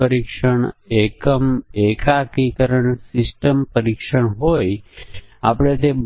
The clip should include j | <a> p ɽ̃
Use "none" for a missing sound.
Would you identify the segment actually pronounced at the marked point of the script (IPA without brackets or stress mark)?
a